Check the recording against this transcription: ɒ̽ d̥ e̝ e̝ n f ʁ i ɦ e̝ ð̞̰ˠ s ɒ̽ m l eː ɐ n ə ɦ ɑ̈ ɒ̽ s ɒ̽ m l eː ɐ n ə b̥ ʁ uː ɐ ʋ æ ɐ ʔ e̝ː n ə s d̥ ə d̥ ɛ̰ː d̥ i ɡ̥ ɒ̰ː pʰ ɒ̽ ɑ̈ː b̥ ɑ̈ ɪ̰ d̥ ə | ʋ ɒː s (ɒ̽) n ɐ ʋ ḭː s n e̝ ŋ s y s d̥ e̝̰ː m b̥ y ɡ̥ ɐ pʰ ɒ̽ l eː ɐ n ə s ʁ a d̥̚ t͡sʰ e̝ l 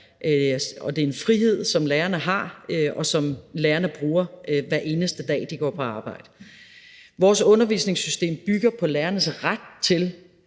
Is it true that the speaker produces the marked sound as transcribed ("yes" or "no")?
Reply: no